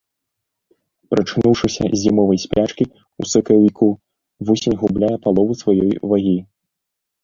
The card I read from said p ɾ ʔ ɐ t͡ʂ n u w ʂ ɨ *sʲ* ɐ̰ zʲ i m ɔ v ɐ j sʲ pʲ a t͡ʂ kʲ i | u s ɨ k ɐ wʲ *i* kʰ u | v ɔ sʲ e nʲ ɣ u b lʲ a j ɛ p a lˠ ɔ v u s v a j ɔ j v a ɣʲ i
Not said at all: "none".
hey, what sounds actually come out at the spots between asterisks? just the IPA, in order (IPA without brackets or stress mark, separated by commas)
sʲ, i